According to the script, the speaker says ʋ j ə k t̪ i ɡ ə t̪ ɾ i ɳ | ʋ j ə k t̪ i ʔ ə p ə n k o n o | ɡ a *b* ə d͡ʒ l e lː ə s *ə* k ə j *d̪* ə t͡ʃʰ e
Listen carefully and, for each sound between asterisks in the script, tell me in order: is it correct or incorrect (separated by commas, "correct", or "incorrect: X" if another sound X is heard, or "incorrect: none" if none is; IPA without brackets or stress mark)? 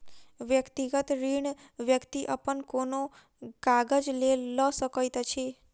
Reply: incorrect: ɡ, correct, incorrect: t̪